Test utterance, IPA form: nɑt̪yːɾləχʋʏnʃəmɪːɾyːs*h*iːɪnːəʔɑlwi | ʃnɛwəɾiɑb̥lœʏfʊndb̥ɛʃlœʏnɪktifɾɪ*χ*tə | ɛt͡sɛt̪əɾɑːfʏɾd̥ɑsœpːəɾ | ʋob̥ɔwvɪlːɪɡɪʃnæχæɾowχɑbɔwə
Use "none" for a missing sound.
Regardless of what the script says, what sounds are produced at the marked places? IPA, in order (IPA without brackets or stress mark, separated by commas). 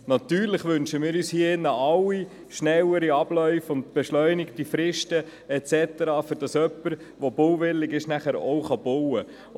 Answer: h, ʃ